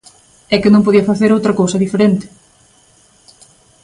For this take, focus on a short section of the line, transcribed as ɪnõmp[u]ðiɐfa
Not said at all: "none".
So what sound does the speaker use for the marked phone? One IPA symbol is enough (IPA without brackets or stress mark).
o